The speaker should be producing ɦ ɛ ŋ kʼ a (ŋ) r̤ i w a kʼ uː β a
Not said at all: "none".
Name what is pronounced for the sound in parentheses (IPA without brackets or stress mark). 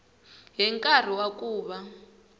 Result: none